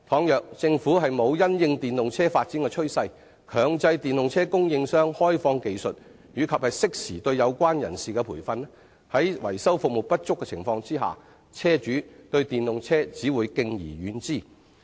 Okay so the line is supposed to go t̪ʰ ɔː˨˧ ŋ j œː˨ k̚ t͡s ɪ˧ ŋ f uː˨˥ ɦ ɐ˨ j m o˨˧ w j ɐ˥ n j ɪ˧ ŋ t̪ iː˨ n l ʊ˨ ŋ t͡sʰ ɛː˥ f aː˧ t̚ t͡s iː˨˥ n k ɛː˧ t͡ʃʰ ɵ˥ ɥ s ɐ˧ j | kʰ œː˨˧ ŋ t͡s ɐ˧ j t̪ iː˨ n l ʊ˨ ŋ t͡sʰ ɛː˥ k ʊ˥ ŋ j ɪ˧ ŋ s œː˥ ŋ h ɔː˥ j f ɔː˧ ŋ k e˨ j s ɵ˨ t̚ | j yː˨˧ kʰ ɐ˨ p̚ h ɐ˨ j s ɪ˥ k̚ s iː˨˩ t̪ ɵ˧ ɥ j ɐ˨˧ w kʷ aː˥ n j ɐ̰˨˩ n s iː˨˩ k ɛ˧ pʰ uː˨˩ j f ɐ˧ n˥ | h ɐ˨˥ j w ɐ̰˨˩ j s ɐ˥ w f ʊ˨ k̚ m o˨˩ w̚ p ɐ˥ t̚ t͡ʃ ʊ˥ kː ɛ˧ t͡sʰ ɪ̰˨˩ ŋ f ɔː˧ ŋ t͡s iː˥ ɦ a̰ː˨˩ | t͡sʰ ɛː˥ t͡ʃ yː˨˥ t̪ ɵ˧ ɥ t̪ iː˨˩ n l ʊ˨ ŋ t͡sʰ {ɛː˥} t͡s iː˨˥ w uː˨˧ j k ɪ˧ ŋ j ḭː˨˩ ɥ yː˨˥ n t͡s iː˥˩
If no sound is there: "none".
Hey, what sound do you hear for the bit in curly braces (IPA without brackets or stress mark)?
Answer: ɛː˥